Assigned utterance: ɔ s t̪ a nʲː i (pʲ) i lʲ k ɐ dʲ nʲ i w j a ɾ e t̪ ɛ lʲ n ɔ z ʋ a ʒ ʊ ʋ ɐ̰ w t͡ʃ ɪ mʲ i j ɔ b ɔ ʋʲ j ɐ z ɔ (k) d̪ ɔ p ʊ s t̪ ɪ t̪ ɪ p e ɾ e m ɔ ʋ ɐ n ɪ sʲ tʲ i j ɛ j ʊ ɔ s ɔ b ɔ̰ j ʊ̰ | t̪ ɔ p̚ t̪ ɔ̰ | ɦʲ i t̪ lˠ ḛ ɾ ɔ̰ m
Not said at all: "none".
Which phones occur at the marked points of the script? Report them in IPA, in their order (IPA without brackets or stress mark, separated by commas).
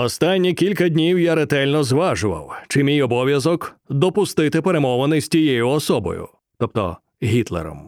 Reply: kʲ, k